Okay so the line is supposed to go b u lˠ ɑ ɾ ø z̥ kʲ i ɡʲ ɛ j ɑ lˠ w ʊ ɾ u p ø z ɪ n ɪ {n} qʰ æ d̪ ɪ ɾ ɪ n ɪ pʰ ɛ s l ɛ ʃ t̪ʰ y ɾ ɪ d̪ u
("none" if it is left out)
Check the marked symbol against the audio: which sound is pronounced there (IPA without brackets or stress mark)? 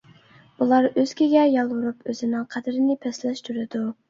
ŋ